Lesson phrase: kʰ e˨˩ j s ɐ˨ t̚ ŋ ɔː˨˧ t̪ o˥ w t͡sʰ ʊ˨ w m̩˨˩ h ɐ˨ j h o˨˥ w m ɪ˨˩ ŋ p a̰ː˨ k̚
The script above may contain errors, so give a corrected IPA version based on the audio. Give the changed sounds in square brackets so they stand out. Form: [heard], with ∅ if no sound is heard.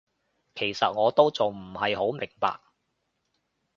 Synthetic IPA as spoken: kʰ e˨˩ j s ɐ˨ t̚ ŋ ɔː˨˧ t̪ o˥ w [t͡s] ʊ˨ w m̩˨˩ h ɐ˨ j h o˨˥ w m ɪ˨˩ ŋ p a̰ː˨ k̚